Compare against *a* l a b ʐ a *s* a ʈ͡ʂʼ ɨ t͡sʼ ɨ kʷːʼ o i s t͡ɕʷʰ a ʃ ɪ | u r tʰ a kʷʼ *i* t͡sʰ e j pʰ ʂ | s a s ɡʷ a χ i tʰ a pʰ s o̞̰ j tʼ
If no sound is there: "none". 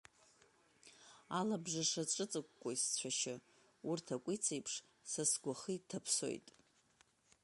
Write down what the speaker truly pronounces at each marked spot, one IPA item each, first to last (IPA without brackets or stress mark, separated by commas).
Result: a, ʂ, i